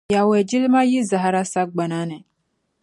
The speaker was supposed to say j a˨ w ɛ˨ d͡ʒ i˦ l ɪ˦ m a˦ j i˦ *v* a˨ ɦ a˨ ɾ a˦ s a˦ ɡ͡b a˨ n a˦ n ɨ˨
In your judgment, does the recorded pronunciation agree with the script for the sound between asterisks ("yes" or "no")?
no